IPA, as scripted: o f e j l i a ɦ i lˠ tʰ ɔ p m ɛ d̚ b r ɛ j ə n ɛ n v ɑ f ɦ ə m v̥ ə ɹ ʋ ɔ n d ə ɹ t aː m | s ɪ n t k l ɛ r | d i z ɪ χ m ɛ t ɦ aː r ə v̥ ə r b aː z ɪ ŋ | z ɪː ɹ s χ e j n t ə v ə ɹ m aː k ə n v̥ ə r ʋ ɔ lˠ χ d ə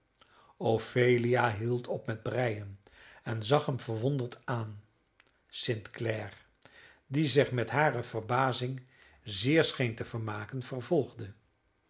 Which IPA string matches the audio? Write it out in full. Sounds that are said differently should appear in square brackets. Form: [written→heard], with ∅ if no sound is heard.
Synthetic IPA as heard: o f e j l i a ɦ i lˠ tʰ ɔ p m ɛ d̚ b r ɛ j ə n ɛ n [v→z] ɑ [f→χ] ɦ ə m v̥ ə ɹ ʋ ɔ n d ə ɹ t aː [m→n] | s ɪ n t k l ɛ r | d i z ɪ χ m ɛ t ɦ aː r ə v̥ ə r b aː z ɪ ŋ | z ɪː ɹ s χ e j n t ə v ə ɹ m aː k ə n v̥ ə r [ʋ→v] ɔ lˠ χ d ə